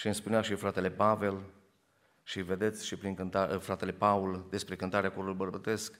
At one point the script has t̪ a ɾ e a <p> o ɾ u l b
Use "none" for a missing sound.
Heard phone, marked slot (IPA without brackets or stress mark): k